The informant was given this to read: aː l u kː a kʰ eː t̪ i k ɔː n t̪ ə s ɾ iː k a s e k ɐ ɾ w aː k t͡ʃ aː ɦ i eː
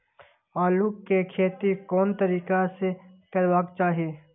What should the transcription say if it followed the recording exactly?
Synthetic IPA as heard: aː l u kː e kʰ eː t̪ i k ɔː n t̪ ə ɾ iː k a s e k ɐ ɾ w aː k t͡ʃ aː ɦ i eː